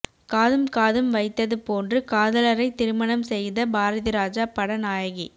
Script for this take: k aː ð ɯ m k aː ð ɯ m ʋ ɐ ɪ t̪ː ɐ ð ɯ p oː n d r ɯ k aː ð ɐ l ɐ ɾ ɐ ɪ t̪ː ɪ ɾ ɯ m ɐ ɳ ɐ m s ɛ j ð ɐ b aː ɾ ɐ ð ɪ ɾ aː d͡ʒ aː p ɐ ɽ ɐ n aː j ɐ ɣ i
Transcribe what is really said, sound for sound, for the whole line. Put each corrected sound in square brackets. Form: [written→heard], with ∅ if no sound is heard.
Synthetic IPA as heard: k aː ð ɯ m k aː ð ɯ m ʋ ɐ ɪ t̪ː ɐ ð ɯ p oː n d r ɯ k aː ð ɐ l ɐ ɾ ɐ ɪ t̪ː ɪ ɾ ɯ m ɐ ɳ ɐ m s ɛ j ð ɐ b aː ɾ ɐ ð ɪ ɾ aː d͡ʒ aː p ɐ ɽ ɐ n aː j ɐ ɣ i